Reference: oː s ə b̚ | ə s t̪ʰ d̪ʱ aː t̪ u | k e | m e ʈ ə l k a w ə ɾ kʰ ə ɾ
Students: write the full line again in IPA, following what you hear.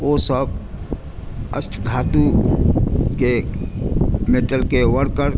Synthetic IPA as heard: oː s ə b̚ | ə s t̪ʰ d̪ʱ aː t̪ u | k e | m e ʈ ə l k e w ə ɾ k ə ɾ